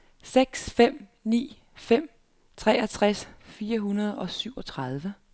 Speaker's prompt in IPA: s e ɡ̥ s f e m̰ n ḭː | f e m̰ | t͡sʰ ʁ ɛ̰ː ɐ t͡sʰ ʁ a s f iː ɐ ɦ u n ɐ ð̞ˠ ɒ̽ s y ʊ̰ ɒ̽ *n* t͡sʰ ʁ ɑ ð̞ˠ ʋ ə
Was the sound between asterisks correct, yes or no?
no